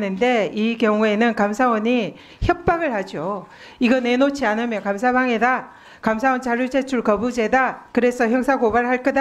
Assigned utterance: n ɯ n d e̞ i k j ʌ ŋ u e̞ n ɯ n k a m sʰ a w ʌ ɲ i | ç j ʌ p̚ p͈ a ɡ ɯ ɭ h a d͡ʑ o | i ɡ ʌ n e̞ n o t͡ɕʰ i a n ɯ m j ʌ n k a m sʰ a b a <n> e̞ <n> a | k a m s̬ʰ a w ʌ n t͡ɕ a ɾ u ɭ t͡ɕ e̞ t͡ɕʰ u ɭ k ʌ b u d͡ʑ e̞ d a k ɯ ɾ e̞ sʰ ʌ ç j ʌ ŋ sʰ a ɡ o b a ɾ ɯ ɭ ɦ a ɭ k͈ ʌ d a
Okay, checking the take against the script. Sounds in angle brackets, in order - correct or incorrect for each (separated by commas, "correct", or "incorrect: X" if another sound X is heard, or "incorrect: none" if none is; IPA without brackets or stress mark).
incorrect: ŋ, incorrect: d